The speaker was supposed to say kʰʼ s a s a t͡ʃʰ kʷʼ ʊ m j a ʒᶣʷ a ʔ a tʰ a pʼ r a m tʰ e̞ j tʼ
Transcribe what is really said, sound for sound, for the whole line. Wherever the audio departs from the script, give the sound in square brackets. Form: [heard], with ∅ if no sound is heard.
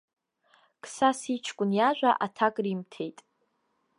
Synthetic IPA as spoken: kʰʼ s a s [i] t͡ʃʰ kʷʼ ʊ [n] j a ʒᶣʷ a ʔ a tʰ a [kʼ] r [i] m tʰ e̞ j tʼ